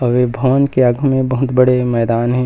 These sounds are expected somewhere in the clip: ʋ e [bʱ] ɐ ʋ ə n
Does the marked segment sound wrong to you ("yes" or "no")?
no